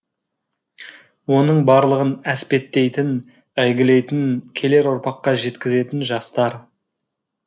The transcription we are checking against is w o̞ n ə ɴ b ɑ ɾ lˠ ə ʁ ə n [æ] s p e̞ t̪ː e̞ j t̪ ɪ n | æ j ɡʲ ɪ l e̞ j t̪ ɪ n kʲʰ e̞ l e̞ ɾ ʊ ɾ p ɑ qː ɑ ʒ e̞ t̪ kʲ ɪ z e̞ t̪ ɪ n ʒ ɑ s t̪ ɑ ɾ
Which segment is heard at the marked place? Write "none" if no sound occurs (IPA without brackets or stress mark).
æ